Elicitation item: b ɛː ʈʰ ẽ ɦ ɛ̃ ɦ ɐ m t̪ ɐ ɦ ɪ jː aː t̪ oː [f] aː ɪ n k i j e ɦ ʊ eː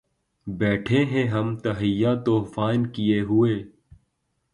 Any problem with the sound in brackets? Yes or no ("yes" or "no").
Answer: no